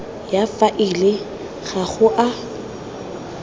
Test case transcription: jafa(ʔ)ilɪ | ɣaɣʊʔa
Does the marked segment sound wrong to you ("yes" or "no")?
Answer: no